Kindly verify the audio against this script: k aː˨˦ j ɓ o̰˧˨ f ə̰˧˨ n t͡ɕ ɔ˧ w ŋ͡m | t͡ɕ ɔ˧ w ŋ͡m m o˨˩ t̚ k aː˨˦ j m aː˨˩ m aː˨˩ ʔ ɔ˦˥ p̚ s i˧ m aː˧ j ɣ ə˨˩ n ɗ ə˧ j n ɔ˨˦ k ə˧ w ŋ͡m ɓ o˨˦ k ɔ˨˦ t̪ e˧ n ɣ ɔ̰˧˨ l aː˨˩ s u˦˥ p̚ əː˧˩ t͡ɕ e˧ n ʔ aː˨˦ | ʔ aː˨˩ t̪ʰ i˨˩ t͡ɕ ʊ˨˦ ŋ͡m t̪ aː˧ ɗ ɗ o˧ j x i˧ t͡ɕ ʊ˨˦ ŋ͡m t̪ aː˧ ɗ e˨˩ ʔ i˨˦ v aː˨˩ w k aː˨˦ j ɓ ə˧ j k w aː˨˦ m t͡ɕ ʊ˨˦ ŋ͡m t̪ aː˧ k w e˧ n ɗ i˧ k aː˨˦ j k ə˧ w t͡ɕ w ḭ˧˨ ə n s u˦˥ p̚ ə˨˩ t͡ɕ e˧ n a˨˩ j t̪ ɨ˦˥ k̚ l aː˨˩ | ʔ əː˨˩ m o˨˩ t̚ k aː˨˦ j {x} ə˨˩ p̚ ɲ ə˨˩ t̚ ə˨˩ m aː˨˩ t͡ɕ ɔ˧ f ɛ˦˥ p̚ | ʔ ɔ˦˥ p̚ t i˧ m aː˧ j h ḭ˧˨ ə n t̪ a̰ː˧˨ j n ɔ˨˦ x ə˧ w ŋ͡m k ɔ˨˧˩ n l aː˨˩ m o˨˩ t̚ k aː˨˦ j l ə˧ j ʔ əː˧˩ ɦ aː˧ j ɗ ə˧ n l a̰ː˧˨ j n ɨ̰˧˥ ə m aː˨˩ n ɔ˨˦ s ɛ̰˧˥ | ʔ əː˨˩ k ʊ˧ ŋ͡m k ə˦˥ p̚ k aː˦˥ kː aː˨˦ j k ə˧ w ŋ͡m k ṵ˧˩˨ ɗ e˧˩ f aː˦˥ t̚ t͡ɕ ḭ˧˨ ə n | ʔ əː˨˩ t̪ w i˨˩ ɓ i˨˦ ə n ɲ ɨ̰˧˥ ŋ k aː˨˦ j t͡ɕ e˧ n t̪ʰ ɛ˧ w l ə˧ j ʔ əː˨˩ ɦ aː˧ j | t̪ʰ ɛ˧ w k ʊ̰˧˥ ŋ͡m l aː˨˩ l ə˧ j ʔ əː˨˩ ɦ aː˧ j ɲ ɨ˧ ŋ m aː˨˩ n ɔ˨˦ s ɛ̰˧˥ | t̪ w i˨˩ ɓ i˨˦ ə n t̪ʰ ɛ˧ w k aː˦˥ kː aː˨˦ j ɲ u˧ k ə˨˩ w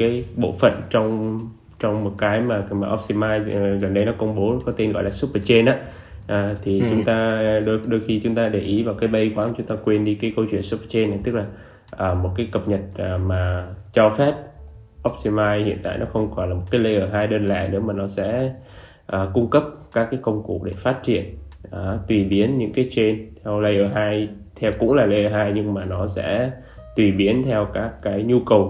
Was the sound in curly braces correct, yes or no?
no